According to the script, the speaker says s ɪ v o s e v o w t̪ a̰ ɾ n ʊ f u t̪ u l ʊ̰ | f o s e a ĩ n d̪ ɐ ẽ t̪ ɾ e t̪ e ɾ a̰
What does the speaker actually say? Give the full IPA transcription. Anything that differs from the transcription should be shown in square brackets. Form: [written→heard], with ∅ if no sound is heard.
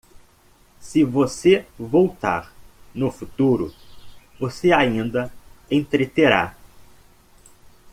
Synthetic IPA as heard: s ɪ v o s e v o w t̪ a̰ ɾ n ʊ f u t̪ u [l→ɾ] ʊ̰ | [f→v] o s e a ĩ n d̪ ɐ ẽ t̪ ɾ e t̪ e ɾ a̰

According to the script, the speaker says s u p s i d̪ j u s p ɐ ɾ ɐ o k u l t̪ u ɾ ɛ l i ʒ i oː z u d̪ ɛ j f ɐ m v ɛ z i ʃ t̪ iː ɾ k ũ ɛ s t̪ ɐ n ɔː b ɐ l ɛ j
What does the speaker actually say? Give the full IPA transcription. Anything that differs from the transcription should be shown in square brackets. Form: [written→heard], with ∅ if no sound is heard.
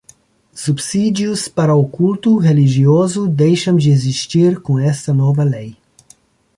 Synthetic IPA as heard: s u p s i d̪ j u s p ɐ ɾ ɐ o k u l t̪ u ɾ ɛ l i ʒ i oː z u d̪ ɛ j [f→ʃ] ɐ m [v→ʒ] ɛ z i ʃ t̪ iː ɾ k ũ ɛ s t̪ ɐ n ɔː [b→v] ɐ l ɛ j

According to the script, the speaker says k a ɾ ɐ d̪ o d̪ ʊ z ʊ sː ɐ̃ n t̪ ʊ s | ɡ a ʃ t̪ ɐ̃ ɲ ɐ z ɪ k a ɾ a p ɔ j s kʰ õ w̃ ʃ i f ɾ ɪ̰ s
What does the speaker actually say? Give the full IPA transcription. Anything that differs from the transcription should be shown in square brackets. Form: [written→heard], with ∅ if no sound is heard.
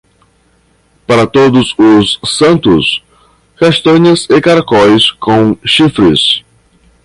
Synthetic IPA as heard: [k→p] a ɾ ɐ [d̪→t̪] o d̪ ʊ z ʊ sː ɐ̃ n t̪ ʊ s | [ɡ→k] a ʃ t̪ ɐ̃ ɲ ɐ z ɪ k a ɾ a [p→k] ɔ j s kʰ õ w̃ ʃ i f ɾ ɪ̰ s

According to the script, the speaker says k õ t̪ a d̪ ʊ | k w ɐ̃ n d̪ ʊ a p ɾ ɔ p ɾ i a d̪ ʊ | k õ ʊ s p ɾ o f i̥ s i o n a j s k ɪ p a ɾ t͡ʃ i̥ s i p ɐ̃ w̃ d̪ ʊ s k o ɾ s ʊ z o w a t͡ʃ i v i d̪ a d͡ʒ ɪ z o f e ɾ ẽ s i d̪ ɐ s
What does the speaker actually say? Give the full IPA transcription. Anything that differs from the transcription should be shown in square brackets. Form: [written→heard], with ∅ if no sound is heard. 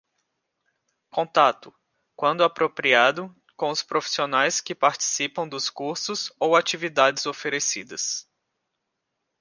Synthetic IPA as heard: k õ t̪ a [d̪→t̪] ʊ | k w ɐ̃ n d̪ ʊ a p ɾ [ɔ→o] p ɾ i a d̪ ʊ | k õ ʊ s p ɾ o f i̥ s i o n a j s k ɪ p a ɾ t͡ʃ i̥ s i p ɐ̃ w̃ d̪ ʊ s k [o→u] ɾ s ʊ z o w a t͡ʃ i v i d̪ a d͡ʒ ɪ z o f e ɾ [ẽ→e] s i d̪ ɐ s

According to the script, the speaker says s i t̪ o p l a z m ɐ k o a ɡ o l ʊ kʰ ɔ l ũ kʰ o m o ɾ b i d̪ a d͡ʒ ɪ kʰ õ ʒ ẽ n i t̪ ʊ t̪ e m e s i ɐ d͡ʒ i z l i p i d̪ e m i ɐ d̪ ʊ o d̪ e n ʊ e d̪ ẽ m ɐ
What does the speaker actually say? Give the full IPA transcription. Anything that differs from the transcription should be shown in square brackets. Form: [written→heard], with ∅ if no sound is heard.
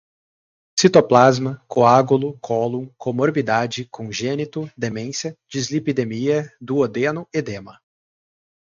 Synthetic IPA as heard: s i t̪ o p l a z m ɐ k o a ɡ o l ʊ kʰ ɔ l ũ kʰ o m o ɾ b i d̪ a d͡ʒ ɪ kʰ õ ʒ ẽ n i t̪ ʊ [t̪→d̪] e m [e→ẽ] s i ɐ d͡ʒ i z l i p i d̪ e m i ɐ d̪ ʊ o d̪ e n ʊ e d̪ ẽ m ɐ

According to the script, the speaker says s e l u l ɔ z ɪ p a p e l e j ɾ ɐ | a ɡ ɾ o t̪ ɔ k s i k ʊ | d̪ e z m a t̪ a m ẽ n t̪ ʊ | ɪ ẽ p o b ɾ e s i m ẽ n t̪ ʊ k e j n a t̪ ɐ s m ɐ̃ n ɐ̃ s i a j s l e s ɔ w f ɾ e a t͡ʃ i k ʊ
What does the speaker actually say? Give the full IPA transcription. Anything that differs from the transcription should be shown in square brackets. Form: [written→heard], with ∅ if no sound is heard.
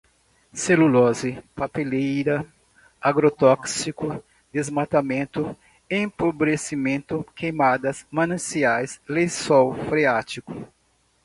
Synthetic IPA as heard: s e l u l ɔ z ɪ p a p e l e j ɾ ɐ | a ɡ ɾ o t̪ ɔ k s i k ʊ | d̪ e z m a t̪ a m ẽ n t̪ ʊ | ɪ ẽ p o b ɾ e s i m ẽ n t̪ ʊ k e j [n→m] a [t̪→d̪] ɐ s m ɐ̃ n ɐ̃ s i a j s l e s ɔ w f ɾ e a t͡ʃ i k ʊ

